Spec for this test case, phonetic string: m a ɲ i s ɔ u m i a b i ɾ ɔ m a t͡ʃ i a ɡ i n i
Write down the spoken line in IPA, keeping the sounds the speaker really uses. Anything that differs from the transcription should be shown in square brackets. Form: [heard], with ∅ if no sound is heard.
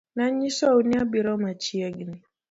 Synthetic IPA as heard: [n] a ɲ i s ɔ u [n] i a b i ɾ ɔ m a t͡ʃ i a ɡ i n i